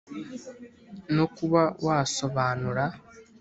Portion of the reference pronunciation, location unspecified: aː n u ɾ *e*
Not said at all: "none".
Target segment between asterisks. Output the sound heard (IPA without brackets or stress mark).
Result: a